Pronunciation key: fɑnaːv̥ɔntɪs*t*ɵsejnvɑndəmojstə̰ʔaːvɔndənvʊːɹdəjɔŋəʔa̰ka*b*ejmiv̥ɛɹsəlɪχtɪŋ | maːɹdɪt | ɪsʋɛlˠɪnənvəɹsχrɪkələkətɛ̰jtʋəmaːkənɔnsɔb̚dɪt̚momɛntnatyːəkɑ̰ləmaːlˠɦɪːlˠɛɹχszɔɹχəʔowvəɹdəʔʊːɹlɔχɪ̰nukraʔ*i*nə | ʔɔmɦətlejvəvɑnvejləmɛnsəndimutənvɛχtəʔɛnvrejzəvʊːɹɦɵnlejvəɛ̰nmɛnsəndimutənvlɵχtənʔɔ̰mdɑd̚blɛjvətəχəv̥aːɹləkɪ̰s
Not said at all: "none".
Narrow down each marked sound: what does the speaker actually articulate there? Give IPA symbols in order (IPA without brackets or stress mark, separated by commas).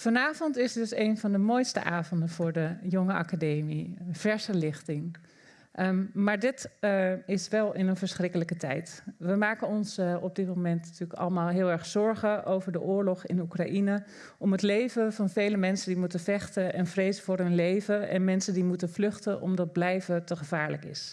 d, d, i